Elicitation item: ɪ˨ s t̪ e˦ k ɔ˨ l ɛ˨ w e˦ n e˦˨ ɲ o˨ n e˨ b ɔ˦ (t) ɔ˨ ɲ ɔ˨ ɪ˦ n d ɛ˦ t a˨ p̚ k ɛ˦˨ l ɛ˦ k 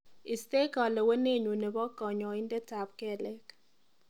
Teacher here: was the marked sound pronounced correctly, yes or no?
no